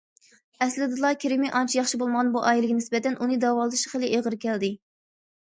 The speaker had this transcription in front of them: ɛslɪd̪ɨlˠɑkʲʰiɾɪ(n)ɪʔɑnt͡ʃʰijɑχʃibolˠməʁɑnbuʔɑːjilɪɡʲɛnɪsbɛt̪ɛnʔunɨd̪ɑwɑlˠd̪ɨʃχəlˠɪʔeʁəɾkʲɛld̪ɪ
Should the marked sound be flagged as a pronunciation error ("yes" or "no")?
yes